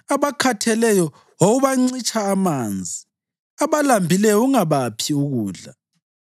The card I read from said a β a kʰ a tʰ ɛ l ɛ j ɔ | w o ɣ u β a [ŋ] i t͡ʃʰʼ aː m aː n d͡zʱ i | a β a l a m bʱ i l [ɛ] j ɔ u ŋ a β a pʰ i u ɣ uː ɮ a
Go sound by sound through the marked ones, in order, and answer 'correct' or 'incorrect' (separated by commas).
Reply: incorrect, correct